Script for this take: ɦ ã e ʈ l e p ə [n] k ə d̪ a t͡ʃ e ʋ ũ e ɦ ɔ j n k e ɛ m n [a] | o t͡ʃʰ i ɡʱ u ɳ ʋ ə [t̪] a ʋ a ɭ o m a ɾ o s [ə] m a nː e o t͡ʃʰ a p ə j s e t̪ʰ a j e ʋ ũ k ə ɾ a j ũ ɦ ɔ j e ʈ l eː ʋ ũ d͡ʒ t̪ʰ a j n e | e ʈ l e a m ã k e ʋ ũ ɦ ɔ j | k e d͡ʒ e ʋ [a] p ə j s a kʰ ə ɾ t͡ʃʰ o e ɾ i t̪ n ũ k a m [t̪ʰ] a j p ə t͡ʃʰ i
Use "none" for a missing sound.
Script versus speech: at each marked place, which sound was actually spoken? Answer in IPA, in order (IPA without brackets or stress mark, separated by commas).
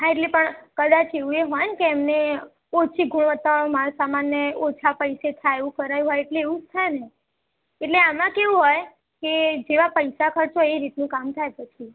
ɳ, e, t̪, a, a, t̪ʰ